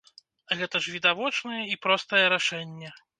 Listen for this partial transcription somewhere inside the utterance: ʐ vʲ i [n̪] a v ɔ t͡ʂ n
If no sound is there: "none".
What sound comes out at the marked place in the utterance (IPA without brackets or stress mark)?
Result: d̪